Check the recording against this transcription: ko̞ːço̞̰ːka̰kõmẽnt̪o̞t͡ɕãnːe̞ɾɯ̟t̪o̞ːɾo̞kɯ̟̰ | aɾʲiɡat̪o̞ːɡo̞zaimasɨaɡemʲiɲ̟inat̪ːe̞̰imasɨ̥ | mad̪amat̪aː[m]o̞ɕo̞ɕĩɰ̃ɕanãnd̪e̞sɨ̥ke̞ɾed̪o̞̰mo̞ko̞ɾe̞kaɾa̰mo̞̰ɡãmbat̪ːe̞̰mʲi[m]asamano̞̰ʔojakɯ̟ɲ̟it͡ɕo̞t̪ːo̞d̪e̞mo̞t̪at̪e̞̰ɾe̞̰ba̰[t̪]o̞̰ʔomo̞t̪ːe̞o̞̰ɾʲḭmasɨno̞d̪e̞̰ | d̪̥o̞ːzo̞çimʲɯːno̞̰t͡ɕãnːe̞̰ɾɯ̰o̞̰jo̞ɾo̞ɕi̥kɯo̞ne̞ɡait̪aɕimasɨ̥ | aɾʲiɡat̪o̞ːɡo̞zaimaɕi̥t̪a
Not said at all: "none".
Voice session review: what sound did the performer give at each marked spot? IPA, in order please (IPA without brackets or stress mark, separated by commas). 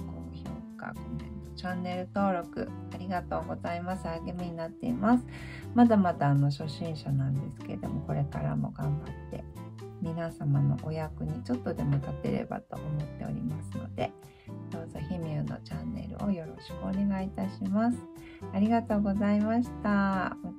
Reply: n, n, t̪